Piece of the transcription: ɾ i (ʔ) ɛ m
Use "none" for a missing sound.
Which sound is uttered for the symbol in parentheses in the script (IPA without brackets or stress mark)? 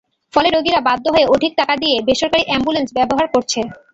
ʔ